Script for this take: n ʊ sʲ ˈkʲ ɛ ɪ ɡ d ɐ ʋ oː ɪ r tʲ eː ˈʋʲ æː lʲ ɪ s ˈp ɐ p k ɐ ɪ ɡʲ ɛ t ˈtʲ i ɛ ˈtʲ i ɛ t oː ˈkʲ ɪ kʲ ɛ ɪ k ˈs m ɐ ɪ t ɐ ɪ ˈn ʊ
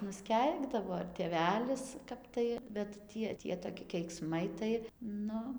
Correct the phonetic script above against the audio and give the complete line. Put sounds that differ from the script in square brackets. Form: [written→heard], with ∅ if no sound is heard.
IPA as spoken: n ʊ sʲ ˈkʲ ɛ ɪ ɡ d ɐ ʋ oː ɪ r tʲ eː ˈʋʲ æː lʲ ɪ s [ˈp→ˈk] ɐ p [k→t] ɐ ɪ [ɡʲ→bʲ] ɛ t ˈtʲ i ɛ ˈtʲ i ɛ t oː ˈkʲ ɪ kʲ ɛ ɪ k ˈs m ɐ ɪ t ɐ ɪ ˈn ʊ